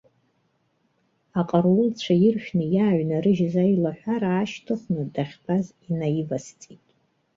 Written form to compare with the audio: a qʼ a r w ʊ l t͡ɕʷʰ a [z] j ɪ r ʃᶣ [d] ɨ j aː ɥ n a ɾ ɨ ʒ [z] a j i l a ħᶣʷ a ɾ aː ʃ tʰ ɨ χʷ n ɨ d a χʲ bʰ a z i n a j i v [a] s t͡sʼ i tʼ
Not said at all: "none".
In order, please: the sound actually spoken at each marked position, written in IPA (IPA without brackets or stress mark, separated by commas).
none, n, z, a